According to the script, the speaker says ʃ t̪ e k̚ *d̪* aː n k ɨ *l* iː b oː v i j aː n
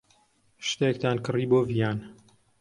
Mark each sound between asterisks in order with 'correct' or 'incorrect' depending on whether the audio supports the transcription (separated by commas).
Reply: incorrect, incorrect